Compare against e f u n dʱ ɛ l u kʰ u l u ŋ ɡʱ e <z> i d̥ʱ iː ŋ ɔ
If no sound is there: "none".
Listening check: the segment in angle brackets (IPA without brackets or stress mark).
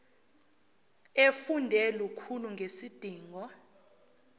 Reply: s